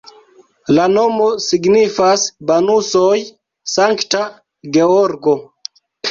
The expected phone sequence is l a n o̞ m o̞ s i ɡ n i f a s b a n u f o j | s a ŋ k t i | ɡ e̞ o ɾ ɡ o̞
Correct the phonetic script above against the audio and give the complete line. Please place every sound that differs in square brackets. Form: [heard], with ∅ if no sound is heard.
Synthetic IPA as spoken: l a n o̞ m o̞ s i ɡ n i f a s b a n u [s] o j | s a ŋ k t [a] | ɡ e̞ o ɾ ɡ o̞